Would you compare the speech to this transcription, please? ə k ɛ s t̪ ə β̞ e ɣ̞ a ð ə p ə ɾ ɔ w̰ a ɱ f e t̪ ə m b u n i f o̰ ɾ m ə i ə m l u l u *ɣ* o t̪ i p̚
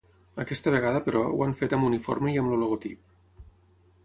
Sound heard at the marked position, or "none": ɣ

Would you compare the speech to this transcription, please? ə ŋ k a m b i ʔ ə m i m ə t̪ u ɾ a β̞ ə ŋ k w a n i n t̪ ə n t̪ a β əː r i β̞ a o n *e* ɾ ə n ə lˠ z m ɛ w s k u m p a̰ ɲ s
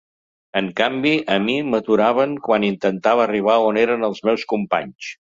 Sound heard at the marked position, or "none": e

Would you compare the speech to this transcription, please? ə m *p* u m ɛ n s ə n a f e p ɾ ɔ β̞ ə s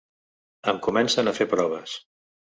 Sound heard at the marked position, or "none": k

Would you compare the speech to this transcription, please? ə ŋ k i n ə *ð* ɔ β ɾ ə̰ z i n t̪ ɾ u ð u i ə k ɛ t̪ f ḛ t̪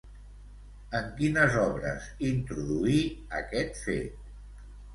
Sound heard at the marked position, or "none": z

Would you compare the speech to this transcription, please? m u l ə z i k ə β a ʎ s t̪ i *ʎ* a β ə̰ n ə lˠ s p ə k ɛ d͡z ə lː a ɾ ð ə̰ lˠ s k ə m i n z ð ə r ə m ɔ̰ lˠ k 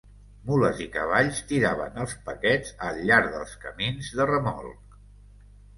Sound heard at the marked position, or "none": ɾ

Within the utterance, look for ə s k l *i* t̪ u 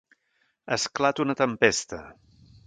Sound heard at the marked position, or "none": a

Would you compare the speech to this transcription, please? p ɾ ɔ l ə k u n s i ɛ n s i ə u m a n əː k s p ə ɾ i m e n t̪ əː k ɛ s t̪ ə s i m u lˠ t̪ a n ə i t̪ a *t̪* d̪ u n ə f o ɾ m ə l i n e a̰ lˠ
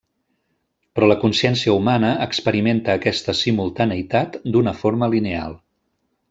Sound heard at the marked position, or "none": t̪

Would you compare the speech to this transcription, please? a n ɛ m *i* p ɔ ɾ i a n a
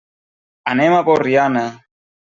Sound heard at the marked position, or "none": a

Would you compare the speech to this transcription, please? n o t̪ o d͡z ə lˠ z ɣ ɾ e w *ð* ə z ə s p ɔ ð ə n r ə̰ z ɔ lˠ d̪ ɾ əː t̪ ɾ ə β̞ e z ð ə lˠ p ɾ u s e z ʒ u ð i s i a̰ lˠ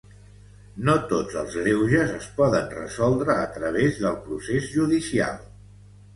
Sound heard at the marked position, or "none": ʒ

